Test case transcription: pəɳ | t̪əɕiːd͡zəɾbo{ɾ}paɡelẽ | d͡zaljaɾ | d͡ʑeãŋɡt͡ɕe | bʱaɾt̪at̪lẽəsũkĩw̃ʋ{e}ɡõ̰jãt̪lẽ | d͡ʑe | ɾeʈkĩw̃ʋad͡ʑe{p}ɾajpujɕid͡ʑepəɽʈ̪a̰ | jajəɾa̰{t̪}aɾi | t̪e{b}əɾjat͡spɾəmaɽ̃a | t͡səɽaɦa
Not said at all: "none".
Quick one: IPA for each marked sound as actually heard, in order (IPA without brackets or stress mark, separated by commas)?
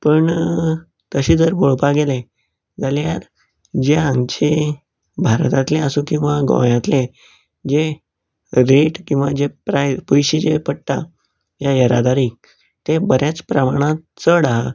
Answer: ɭ, a, p, d̪, b